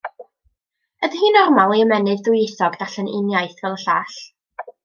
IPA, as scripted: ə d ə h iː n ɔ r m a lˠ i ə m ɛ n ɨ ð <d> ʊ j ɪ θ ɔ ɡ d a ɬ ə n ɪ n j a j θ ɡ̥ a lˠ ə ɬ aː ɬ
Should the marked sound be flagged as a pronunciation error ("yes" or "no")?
no